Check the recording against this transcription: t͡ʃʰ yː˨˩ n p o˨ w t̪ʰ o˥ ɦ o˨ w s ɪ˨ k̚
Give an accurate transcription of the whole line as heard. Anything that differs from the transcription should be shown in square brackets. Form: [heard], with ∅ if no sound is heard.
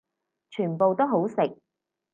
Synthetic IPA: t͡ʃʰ yː˨˩ n p o˨ w [t̪] o˥ ɦ [o˨˥] w s ɪ˨ k̚